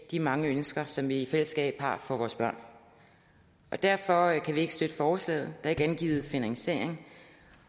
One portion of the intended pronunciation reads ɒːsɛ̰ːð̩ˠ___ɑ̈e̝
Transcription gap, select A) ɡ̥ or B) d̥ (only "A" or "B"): B